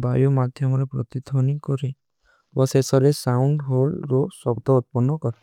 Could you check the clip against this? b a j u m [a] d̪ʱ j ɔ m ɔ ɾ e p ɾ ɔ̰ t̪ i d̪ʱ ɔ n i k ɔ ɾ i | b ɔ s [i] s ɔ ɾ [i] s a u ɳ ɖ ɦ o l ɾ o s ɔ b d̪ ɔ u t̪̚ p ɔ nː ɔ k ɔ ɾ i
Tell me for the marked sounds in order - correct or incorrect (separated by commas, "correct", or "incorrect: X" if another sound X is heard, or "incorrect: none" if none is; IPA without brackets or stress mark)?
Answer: correct, incorrect: e, incorrect: e